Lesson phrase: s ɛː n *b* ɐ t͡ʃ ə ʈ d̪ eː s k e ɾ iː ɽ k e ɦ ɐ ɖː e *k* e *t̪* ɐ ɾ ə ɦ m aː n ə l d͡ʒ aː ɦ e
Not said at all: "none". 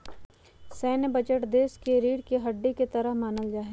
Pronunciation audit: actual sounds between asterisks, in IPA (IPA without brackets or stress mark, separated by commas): b, k, t̪